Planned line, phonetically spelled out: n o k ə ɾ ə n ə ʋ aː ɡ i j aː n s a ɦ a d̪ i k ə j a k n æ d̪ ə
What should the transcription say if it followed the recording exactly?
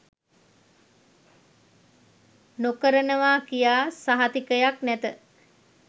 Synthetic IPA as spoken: n o k ə ɾ ə n ə ʋ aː k i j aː s a ɦ a t̪ i k ə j a k n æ t̪ ə